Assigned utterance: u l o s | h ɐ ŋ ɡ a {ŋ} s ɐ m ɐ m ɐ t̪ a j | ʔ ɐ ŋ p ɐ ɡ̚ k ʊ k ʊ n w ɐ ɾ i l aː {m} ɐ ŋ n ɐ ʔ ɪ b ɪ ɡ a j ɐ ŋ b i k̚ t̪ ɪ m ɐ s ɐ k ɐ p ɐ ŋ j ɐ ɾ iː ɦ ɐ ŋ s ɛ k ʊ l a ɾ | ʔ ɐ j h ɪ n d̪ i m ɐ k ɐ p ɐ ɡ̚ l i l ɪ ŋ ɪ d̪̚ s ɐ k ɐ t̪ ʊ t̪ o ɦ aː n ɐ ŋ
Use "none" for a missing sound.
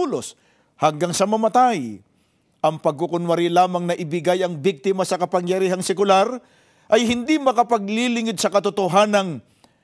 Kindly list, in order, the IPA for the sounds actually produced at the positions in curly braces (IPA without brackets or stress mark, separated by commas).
ŋ, m